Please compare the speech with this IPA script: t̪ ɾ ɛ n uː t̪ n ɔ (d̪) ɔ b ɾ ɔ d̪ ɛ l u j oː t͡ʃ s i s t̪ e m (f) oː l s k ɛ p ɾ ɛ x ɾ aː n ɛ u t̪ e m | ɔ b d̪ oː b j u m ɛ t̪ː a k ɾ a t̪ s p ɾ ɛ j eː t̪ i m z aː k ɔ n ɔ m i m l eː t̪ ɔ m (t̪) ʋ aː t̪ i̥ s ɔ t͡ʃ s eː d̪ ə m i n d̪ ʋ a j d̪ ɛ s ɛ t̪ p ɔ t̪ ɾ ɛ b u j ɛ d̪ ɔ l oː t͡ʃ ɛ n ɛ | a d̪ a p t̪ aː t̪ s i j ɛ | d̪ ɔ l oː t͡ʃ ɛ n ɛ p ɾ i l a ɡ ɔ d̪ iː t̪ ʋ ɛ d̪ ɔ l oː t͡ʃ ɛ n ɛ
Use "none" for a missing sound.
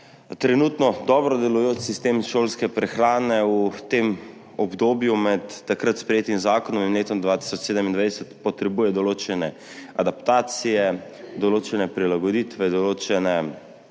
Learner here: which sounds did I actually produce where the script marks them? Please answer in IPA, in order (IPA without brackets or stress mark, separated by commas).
d̪, ʃ, d̪